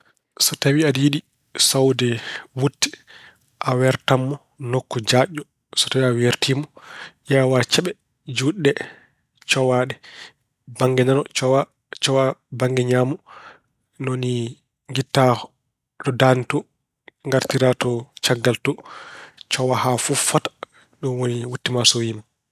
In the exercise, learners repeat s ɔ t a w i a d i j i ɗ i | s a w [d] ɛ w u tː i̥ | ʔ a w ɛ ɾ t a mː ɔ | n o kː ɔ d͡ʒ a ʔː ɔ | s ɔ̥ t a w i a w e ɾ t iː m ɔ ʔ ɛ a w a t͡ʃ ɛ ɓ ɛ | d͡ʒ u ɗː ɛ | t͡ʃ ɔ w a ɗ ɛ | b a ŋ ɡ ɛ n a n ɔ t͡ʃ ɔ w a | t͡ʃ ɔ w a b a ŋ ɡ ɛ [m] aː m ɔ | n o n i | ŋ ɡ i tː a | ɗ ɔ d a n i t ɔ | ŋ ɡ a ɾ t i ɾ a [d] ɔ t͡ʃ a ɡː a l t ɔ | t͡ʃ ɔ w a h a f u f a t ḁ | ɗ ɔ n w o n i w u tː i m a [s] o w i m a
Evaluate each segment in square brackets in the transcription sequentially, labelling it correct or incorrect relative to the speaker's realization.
correct, incorrect, incorrect, correct

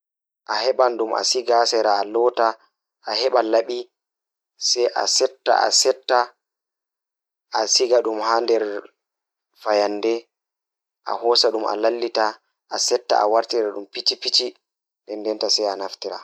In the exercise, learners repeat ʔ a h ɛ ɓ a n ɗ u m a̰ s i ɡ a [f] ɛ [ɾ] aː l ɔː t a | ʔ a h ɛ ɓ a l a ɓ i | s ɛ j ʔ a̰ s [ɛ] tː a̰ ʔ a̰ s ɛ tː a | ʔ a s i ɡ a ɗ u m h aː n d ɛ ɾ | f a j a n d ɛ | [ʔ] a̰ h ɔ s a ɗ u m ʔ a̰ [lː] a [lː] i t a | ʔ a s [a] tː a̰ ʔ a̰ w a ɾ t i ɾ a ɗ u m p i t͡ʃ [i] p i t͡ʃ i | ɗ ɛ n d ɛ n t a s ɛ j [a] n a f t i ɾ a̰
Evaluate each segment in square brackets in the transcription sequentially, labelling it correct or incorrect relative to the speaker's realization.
incorrect, correct, correct, correct, incorrect, correct, incorrect, correct, correct

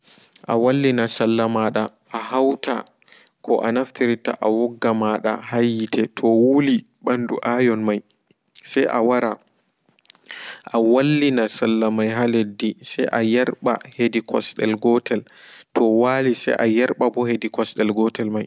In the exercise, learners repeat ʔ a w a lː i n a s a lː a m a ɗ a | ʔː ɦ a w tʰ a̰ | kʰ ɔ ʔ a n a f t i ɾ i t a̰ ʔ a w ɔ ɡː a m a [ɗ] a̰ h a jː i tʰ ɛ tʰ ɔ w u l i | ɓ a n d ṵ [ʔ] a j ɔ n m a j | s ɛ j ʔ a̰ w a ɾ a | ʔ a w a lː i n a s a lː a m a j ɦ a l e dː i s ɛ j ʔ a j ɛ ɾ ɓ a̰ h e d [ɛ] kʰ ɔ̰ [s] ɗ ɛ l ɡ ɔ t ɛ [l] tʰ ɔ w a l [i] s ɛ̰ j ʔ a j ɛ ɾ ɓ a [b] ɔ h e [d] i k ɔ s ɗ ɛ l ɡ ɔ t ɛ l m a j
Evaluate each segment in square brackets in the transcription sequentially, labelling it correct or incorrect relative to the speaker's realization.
correct, correct, incorrect, correct, correct, correct, correct, correct

